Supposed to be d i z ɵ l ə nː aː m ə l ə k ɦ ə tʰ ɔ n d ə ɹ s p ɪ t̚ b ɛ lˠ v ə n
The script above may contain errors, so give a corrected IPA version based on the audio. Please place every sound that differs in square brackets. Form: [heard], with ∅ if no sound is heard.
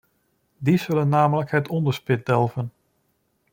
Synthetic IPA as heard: d i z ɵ l ə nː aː m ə l ə k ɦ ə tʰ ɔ n d ə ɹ s p ɪ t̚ [d] ɛ lˠ v ə n